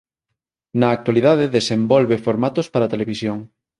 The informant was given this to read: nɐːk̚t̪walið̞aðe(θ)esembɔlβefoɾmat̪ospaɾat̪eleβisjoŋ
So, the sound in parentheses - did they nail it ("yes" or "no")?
no